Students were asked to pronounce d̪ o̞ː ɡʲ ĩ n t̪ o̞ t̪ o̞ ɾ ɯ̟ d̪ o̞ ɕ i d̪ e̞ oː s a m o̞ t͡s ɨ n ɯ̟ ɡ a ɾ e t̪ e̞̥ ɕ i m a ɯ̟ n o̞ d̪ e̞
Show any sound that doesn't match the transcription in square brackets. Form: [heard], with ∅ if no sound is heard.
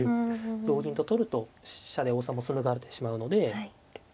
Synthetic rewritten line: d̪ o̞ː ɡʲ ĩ n t̪ o̞ t̪ o̞ ɾ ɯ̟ [t̪] o̞ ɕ [a] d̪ e̞ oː s a m o̞ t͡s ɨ n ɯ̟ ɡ a ɾ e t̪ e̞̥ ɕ i m a ɯ̟ n o̞ d̪ e̞

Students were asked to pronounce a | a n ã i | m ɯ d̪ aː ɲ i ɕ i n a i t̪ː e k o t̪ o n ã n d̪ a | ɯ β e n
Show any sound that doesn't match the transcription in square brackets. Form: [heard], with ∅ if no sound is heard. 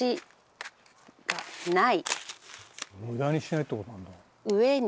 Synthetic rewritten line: [i] | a n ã i | m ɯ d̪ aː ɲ i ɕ i n a i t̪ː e k o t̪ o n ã n d̪ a | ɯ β e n

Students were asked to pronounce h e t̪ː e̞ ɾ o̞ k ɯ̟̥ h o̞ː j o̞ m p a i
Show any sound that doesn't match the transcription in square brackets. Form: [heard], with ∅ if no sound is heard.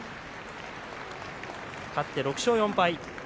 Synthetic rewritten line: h [a] t̪ː e̞ ɾ o̞ k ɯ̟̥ [ɕ] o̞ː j [õ̞] m p a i

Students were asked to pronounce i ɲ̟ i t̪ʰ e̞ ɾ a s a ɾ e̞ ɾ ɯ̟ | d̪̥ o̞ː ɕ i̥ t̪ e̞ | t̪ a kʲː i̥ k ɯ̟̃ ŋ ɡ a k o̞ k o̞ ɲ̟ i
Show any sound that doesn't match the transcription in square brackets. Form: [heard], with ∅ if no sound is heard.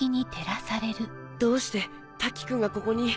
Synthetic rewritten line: i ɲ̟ i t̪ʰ e̞ ɾ a s a ɾ e̞ ɾ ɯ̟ | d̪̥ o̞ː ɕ i̥ t̪ e̞ | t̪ a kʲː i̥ k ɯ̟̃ ŋ ɡ a k o̞ k o̞ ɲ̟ i

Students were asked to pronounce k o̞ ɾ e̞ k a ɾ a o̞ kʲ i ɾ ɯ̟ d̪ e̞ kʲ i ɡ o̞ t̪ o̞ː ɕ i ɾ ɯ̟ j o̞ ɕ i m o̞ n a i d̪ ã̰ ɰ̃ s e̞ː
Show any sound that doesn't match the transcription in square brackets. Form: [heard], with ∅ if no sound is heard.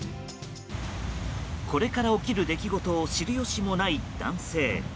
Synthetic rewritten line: k o̞ ɾ e̞ k a ɾ a o̞ kʲ i ɾ ɯ̟ d̪ e̞ kʲ i ɡ o̞ t̪ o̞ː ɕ i ɾ ɯ̟ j o̞ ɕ i m o̞ n a i d̪ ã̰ ɰ̃ s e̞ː

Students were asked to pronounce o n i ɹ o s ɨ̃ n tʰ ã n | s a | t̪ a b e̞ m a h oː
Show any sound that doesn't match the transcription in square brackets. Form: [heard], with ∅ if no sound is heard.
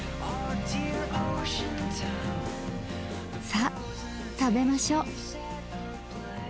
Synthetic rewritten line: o [d] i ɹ o [ʃ] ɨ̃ n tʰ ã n | s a | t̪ a b e̞ m a [ɕ] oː

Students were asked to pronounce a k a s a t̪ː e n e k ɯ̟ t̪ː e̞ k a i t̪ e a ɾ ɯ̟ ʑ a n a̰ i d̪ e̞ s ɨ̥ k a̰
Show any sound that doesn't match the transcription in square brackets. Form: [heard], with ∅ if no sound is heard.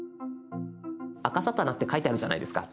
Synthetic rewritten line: a k a s a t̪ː [a] n [a] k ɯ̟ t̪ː e̞ k a i t̪ e a ɾ ɯ̟ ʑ a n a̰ i d̪ e̞ s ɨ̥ k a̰

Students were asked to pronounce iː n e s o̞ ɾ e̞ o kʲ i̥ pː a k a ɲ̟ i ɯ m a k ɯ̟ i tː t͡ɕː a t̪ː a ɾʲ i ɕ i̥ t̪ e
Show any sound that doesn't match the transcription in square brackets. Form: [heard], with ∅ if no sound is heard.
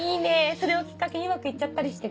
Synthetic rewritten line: iː n e s o̞ ɾ e̞ o kʲ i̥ [kː] a k [e] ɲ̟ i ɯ m a k ɯ̟ i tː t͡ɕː a t̪ː a ɾʲ i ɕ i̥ t̪ e

